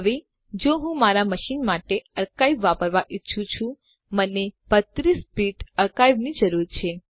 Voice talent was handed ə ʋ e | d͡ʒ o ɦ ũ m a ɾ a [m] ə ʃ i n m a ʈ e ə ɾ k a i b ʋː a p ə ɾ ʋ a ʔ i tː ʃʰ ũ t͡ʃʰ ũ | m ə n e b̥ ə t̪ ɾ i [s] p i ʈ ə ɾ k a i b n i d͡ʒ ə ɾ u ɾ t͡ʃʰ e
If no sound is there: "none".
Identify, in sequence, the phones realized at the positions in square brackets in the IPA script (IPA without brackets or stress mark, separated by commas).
m, s